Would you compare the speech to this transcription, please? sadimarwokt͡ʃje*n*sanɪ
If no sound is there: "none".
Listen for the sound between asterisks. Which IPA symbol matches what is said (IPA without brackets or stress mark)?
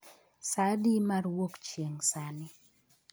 ŋ